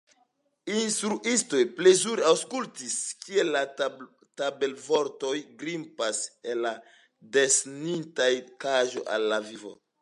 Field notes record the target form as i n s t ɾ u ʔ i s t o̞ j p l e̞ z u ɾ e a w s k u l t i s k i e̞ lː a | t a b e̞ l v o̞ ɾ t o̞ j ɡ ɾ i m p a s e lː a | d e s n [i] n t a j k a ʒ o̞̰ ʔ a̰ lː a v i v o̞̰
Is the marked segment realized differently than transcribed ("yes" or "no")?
no